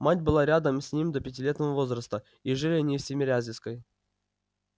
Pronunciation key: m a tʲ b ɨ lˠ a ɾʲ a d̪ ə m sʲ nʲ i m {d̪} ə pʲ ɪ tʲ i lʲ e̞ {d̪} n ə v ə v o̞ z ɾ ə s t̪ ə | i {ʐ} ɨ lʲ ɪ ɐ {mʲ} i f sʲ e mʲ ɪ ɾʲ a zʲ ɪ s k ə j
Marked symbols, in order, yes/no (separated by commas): yes, no, yes, no